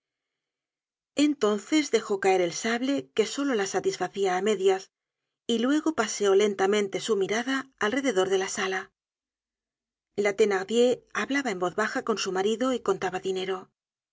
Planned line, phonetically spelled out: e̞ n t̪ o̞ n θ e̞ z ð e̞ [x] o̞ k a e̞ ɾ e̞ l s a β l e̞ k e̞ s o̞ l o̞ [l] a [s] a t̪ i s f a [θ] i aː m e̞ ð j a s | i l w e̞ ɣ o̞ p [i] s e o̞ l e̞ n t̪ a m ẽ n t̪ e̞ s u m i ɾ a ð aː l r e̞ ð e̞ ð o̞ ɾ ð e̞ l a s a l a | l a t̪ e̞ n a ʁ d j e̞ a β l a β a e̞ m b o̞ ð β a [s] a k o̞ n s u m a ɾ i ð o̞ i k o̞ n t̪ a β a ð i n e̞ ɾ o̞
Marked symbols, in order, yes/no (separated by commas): yes, yes, yes, yes, no, no